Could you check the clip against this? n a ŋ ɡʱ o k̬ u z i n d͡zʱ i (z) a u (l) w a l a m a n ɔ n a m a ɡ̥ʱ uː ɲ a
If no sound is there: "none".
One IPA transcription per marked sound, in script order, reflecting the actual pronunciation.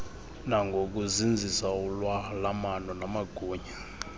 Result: s, l

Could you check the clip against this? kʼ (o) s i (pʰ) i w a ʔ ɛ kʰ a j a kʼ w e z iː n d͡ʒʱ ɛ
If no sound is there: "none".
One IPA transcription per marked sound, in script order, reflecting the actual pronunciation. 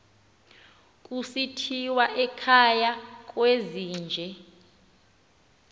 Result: u, tʰ

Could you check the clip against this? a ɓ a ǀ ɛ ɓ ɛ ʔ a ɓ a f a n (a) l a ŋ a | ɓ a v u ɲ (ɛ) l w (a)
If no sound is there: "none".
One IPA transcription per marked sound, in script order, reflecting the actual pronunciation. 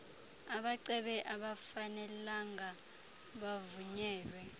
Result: ɛ, ɛː, ɛ

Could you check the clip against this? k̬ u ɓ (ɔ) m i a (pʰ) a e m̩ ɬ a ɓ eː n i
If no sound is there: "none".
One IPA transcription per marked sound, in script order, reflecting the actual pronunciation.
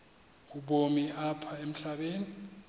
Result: o, pʰ

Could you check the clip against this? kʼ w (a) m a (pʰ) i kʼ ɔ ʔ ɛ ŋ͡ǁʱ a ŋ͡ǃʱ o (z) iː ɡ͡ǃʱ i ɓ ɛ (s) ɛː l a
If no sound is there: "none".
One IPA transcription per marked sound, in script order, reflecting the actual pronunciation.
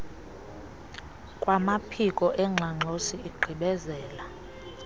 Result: a, pʰ, s, z

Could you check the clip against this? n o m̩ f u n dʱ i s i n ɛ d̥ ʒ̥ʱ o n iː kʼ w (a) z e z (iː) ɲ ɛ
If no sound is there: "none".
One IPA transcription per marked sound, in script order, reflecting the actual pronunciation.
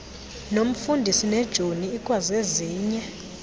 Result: a, iː

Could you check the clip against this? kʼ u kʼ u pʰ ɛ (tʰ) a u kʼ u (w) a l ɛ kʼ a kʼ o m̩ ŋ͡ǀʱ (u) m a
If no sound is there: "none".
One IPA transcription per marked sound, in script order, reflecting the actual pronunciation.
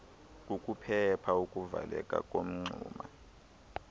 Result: pʰ, v, uː

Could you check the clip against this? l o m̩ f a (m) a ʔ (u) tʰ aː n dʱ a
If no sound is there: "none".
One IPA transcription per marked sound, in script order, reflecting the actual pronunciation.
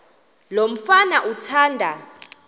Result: n, u

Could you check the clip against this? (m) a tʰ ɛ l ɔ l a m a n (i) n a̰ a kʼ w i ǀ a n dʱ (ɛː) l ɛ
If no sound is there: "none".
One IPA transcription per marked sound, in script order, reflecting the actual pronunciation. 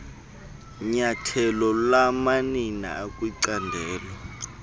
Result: ɲ, i, ɛː

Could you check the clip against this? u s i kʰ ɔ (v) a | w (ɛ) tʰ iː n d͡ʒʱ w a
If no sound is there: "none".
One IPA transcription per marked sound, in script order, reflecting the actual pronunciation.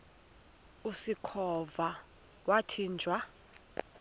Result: v, a

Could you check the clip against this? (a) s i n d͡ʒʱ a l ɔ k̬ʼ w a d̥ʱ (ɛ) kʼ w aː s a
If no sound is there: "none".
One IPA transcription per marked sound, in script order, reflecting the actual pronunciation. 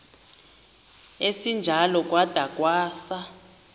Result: e, a

